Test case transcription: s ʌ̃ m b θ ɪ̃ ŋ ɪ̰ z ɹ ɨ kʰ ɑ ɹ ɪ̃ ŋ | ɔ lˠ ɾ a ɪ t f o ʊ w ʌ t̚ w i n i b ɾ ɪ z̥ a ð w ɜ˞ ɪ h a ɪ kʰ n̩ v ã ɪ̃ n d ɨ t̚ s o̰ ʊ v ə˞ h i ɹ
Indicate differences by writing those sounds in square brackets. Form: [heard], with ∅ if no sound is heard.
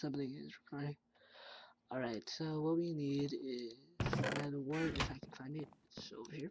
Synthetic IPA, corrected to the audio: s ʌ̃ m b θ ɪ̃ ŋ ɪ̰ z ɹ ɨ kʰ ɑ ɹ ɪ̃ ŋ | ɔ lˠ [ɹ] a ɪ t [s] o ʊ w ʌ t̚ w i n i [∅] ɾ ɪ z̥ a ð w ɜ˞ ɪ [f] a ɪ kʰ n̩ [f] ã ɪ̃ n d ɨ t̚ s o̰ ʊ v ə˞ h i ɹ

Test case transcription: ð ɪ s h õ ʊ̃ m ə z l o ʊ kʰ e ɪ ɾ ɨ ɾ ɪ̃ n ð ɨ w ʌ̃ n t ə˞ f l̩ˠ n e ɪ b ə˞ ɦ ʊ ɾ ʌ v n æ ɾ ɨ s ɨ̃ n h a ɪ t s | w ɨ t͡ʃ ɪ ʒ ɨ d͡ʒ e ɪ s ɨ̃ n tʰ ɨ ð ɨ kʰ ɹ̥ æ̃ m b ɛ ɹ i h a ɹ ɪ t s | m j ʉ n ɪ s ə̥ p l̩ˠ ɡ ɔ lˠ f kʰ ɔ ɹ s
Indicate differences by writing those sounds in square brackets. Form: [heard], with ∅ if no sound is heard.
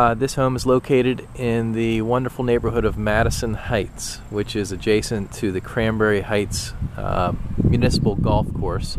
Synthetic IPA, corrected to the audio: ð ɪ s h õ ʊ̃ m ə z l o ʊ kʰ e ɪ ɾ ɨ ɾ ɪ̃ n ð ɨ w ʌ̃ n [d] ə˞ f l̩ˠ n e ɪ b ə˞ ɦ ʊ ɾ ʌ v [m] æ ɾ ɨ s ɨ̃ n h a ɪ t s | w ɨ t͡ʃ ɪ [z] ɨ d͡ʒ e ɪ s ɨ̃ n tʰ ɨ ð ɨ kʰ ɹ̥ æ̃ m b ɛ ɹ i h a [∅] ɪ t s | m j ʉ n ɪ s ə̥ p l̩ˠ ɡ ɔ lˠ f kʰ ɔ ɹ s

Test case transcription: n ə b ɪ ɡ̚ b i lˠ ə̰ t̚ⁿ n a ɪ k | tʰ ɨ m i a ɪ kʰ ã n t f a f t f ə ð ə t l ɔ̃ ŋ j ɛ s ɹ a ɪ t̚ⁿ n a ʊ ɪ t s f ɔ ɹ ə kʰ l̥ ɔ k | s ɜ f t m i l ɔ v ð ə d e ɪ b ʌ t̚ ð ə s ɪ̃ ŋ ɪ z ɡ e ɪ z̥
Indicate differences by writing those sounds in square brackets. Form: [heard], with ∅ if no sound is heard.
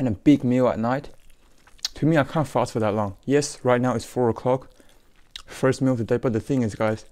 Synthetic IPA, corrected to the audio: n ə b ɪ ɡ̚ [m] i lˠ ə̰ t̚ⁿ n a ɪ [t] | tʰ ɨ m i a ɪ kʰ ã n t f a [s] t f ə ð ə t l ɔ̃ ŋ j ɛ s ɹ a ɪ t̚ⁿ n a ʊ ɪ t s f ɔ ɹ ə kʰ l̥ ɔ k | [f] ɜ [s] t m i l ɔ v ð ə d e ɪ b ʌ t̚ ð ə [θ] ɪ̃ ŋ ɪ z ɡ [a] ɪ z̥

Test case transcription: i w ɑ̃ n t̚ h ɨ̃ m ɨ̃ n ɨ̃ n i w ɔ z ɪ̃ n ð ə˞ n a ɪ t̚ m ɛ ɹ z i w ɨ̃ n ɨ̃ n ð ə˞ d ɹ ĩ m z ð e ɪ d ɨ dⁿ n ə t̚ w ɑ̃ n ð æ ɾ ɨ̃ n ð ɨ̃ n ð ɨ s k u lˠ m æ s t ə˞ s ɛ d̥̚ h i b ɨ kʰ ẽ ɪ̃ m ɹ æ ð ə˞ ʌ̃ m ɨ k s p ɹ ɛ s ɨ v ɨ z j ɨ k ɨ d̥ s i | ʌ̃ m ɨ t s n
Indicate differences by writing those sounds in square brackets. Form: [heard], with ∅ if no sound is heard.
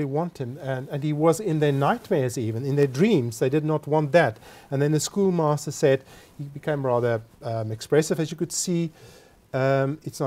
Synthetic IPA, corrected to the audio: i w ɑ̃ n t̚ h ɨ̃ m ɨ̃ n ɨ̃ n i w [ʌ] z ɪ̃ n ð ə˞ n a ɪ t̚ m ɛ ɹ z i [v] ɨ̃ n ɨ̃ n ð ə˞ d ɹ ĩ m z ð e ɪ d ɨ dⁿ n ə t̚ w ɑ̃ n ð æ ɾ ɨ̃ n ð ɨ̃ n ð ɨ s k u lˠ m æ s t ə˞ s ɛ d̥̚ h i b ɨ kʰ ẽ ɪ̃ m ɹ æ ð ə˞ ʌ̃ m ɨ k s p ɹ ɛ s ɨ v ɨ z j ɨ k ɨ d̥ s i | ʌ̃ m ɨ t s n

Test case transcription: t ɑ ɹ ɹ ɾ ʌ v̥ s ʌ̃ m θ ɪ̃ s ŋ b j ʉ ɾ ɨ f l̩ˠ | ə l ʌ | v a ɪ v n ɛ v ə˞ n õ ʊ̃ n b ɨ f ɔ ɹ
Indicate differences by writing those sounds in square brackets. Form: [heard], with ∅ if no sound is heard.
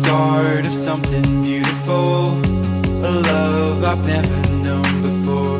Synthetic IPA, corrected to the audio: t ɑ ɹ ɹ ɾ ʌ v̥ s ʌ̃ m θ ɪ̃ [∅] ŋ b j ʉ ɾ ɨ f l̩ˠ | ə l ʌ | v a ɪ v n ɛ v ə˞ n õ ʊ̃ n b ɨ f ɔ ɹ

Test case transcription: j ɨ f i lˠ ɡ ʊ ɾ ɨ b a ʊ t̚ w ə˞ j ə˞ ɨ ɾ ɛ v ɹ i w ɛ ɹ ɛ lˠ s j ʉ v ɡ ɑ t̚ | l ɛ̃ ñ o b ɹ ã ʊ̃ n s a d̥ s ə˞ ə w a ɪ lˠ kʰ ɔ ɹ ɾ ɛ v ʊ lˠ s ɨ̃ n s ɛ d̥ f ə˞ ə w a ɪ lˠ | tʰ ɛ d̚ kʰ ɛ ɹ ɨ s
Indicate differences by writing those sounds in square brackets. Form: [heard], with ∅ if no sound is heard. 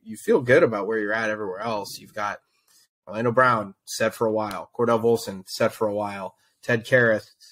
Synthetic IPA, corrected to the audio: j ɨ f i lˠ ɡ ʊ ɾ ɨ b a ʊ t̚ w ə˞ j ə˞ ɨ ɾ ɛ v ɹ i w ɛ ɹ ɛ lˠ s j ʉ v ɡ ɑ t̚ | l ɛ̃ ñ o b ɹ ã ʊ̃ n s [ɛ] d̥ [f] ə˞ ə w a ɪ lˠ kʰ ɔ ɹ ɾ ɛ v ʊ lˠ s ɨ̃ n s ɛ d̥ f ə˞ ə w a ɪ lˠ | tʰ ɛ d̚ kʰ ɛ ɹ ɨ [θ]

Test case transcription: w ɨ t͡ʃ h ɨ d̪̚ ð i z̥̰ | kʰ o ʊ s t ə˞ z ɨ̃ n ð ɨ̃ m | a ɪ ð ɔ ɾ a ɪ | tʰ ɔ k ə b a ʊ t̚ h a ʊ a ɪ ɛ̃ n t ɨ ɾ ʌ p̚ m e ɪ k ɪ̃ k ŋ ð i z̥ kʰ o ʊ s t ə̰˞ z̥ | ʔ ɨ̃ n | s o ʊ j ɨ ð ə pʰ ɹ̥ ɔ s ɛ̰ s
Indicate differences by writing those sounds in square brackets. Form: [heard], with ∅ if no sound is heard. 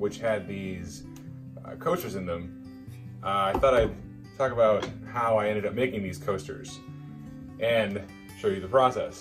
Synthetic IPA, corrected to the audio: w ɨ t͡ʃ h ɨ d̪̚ ð i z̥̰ | kʰ o ʊ s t ə˞ z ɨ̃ n ð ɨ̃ m | a ɪ [θ] ɔ ɾ a ɪ | tʰ ɔ k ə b a ʊ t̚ h a ʊ a ɪ ɛ̃ n [d] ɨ ɾ ʌ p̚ m e ɪ k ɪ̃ [∅] ŋ ð i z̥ kʰ o ʊ s t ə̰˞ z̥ | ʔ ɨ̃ n | [ʃ] o ʊ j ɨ ð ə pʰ ɹ̥ ɔ s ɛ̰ s

